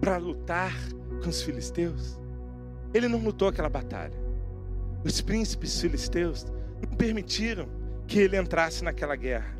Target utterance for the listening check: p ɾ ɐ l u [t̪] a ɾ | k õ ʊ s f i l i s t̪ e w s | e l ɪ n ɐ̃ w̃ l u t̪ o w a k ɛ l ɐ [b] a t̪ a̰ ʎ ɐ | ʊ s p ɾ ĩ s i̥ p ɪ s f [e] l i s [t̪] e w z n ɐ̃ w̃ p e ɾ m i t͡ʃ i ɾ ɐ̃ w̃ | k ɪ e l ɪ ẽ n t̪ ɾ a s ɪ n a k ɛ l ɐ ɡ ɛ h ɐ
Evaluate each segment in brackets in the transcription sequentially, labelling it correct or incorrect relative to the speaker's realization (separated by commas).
correct, correct, incorrect, correct